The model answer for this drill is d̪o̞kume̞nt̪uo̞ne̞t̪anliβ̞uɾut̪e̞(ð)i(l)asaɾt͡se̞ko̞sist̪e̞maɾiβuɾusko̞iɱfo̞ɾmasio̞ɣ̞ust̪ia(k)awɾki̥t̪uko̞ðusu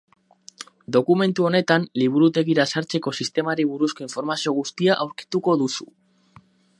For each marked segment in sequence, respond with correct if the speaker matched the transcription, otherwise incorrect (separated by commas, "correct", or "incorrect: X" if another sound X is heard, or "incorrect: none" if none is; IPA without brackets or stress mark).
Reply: incorrect: ɣ, incorrect: ɾ, incorrect: ʔ